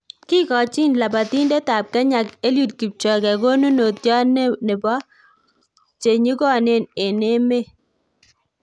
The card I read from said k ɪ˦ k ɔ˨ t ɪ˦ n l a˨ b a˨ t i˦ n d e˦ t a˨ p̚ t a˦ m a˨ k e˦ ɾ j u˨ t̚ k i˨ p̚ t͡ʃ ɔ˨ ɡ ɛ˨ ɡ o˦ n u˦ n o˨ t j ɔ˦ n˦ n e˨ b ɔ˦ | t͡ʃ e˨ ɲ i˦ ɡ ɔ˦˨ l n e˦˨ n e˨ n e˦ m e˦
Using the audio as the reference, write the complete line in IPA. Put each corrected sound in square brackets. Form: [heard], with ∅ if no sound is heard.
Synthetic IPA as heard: k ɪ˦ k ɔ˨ [t͡ʃ] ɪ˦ n l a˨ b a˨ t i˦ n d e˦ t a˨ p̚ [k] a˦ [ɲ] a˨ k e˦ [l] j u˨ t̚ k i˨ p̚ t͡ʃ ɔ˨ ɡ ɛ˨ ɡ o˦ n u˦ n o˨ t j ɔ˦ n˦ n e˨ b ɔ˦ | t͡ʃ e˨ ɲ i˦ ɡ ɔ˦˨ [∅] n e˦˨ n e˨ n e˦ m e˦

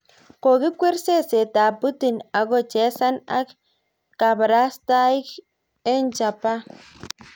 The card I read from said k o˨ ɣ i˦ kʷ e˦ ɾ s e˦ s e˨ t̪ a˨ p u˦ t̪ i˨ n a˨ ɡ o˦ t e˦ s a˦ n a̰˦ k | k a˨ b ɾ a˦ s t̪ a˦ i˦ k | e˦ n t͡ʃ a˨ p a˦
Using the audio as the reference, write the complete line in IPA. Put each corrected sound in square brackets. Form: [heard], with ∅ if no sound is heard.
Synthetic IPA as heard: k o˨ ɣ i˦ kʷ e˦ ɾ s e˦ s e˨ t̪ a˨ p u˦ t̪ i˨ n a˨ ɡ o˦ [t͡ʃ] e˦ s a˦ n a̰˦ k | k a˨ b ɾ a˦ s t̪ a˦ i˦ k | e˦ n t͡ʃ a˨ p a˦

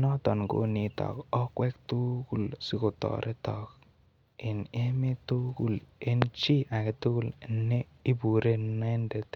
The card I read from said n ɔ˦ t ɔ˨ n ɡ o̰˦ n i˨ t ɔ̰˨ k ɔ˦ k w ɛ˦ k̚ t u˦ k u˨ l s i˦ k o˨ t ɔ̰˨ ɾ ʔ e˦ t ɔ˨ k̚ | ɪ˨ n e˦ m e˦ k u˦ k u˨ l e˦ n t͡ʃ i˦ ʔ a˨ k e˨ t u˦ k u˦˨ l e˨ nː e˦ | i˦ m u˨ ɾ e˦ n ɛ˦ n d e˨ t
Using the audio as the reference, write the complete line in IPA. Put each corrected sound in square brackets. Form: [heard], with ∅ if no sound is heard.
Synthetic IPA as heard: n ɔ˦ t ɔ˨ n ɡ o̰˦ n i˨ t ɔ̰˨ k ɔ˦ k w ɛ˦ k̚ t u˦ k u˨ l s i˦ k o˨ t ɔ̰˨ ɾ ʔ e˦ t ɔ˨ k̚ | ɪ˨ n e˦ m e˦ [t] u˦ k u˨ l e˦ n t͡ʃ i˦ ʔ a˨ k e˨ t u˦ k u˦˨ l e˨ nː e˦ | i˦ [b] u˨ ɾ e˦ n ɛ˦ n d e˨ t

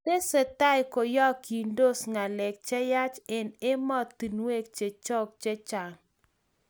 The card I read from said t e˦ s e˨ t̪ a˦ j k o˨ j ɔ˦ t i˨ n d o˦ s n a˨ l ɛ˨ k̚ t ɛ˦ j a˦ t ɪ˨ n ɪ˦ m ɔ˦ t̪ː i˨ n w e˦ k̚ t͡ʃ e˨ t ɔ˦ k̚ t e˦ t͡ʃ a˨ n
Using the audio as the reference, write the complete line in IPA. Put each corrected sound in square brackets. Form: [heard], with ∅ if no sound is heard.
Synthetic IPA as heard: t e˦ s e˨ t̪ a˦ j k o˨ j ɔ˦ [k] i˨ n d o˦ s [ŋ] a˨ l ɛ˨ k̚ [t͡ʃ] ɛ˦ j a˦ [t͡ʃ] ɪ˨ n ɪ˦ m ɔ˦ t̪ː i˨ n w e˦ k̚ t͡ʃ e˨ [t͡ʃ] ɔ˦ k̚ [t͡ʃ] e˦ t͡ʃ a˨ [ŋ]

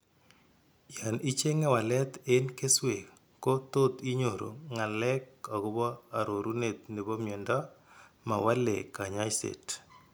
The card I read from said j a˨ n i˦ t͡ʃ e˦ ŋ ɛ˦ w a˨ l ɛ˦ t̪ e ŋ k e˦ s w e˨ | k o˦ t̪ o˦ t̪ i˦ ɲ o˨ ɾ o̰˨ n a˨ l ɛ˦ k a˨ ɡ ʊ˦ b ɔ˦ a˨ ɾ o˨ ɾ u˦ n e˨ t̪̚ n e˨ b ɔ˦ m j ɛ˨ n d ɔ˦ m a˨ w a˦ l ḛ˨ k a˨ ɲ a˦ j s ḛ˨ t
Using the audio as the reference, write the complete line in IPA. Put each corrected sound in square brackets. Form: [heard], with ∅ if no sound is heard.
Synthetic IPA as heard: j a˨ n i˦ t͡ʃ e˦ ŋ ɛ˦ w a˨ l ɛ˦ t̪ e [n] k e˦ s w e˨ | k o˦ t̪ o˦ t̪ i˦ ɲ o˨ ɾ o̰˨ [ŋ] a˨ l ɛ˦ k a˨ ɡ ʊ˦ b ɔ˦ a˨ ɾ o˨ ɾ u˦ n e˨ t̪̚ n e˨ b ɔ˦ m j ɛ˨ n d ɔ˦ m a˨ w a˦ l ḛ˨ k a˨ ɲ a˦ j s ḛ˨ t

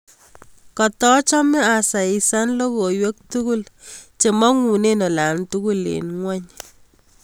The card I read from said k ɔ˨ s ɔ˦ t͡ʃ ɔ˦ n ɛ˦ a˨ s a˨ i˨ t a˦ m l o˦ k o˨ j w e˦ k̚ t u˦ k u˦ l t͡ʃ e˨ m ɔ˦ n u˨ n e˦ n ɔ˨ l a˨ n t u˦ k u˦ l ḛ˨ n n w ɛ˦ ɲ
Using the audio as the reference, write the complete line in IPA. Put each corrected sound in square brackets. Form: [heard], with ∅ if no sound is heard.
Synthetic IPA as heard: k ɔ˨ [t] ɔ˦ t͡ʃ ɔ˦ [m] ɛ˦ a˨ s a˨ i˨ [s] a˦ [n] l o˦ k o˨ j w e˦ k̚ t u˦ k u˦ l t͡ʃ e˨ m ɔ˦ [ŋ] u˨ n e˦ n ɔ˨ l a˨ n t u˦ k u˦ l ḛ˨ n [ŋ] w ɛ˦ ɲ

